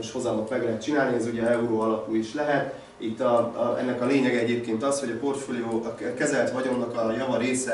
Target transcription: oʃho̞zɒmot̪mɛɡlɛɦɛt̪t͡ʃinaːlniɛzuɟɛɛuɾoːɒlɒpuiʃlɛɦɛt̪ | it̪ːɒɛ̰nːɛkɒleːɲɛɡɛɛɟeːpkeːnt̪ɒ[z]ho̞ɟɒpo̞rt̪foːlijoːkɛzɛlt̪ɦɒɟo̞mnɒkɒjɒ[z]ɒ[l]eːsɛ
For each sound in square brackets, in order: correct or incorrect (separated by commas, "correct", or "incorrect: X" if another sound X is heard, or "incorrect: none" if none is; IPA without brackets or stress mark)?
incorrect: s, incorrect: v, incorrect: ɾ